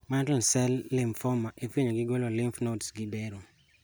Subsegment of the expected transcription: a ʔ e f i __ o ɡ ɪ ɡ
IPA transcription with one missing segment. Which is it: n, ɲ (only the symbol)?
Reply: ɲ